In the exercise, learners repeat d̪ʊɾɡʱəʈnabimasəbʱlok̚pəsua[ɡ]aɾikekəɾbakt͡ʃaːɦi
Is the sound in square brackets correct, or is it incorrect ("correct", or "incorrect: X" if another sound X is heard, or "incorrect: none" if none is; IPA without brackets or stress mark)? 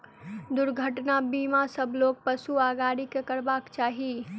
correct